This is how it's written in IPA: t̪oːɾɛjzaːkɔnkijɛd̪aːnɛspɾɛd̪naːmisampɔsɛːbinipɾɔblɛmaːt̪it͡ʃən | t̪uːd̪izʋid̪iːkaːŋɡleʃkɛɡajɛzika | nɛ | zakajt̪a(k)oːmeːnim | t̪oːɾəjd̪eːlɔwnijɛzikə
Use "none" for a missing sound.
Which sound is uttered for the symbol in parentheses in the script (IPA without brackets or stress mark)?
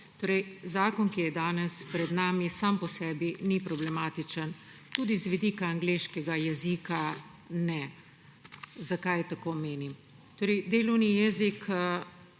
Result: k